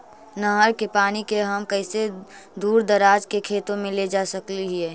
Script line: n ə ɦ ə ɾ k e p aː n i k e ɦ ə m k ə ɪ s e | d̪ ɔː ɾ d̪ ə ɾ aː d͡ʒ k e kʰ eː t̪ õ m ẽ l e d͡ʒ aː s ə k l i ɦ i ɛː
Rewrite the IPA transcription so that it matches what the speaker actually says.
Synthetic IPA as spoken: n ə ɦ ə ɾ k e p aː n i k e ɦ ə m k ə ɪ s e | d̪ uː ɾ d̪ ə ɾ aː d͡ʒ k e kʰ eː t̪ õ m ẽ l e d͡ʒ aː s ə k l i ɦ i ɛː